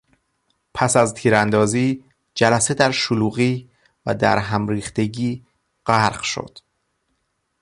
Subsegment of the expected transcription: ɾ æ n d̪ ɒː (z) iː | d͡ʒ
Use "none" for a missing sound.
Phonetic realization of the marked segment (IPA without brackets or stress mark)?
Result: z